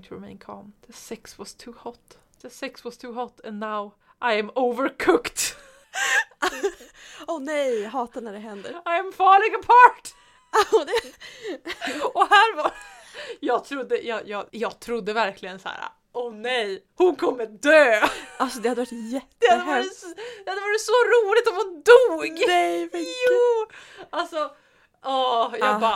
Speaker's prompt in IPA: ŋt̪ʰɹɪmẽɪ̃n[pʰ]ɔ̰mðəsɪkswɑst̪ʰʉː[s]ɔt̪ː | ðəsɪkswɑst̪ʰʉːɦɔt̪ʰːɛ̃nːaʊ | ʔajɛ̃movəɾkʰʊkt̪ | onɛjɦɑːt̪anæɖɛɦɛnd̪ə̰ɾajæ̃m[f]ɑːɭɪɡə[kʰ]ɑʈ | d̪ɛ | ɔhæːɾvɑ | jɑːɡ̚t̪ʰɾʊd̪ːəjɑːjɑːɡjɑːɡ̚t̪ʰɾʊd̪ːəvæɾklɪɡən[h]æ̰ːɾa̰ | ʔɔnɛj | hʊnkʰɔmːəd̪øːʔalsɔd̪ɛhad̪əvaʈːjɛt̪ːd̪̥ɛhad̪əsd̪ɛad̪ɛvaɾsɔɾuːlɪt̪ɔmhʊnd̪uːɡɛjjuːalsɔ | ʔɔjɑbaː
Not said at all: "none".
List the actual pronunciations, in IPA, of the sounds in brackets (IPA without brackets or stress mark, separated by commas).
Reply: kʰ, h, f, pʰ, s